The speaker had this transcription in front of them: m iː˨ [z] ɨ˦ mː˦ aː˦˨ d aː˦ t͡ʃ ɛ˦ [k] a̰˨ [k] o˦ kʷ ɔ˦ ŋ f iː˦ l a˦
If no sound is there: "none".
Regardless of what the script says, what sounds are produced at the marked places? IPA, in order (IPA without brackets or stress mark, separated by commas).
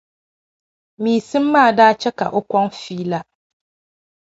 s, k, ʔ